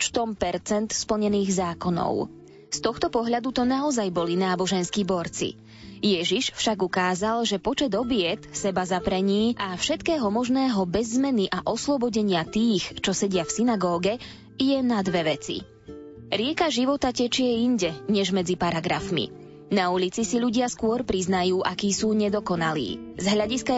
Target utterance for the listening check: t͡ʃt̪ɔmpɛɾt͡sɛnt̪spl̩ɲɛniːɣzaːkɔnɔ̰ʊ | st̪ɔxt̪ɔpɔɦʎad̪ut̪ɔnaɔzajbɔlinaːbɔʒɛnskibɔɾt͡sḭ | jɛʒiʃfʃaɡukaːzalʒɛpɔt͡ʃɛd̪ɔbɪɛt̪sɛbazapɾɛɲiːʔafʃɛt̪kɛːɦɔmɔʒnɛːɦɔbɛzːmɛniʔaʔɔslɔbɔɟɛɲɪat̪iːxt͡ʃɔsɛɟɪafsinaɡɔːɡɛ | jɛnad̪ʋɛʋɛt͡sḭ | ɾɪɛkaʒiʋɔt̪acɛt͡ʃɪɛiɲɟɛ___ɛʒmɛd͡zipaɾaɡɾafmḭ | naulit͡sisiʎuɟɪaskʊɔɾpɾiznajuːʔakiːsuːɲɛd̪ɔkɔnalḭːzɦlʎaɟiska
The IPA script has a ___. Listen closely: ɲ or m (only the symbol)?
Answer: ɲ